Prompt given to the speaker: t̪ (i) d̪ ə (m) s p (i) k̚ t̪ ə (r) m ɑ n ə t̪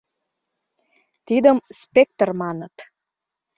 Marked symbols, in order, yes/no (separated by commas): yes, yes, no, yes